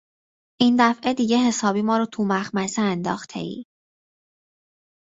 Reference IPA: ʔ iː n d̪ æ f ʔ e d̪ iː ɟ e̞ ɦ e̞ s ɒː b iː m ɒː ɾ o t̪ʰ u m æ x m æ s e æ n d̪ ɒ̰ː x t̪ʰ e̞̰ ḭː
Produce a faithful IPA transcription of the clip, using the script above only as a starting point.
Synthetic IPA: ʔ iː n d̪ æ f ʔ e d̪ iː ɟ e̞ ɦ e̞ s ɒː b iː m ɒː ɾ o t̪ʰ u m æ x m æ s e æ n d̪ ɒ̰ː x t̪ʰ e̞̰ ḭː